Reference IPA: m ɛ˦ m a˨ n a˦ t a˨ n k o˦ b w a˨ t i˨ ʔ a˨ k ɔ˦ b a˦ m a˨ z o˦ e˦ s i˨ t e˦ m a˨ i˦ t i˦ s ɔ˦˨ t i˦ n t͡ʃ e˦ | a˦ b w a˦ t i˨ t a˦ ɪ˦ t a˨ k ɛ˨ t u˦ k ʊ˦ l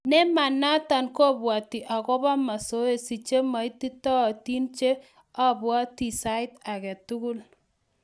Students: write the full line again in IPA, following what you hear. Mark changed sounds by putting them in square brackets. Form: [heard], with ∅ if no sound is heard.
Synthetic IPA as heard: [n] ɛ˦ m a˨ n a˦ t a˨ n k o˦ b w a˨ t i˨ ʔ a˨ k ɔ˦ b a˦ m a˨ [s] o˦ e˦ s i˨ [t͡ʃ] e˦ m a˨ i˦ t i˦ [t] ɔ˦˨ t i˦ n t͡ʃ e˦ | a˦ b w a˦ t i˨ [s] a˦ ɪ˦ t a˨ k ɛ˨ t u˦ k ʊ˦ l